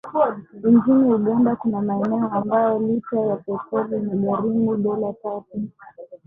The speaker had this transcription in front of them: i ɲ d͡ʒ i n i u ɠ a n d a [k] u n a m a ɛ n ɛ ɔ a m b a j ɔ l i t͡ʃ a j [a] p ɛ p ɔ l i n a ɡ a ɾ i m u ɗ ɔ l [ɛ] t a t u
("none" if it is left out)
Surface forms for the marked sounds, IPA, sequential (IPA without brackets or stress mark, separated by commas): k, a, a